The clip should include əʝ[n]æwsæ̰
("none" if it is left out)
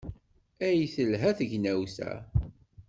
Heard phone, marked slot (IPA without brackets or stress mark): n